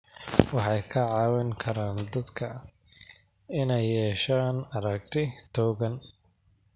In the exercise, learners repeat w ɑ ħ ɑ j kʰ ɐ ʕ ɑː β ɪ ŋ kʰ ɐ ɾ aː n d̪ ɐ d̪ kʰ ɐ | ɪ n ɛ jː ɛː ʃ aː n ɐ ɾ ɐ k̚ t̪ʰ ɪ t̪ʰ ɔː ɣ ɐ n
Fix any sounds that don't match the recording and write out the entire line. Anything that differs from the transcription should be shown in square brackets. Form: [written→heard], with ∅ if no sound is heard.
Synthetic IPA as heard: w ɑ ħ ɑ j kʰ ɐ ʕ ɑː [β→w] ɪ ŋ kʰ ɐ ɾ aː n d̪ ɐ d̪ kʰ ɐ | ɪ n ɛ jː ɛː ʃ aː n ɐ ɾ ɐ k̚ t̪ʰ ɪ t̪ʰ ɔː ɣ ɐ n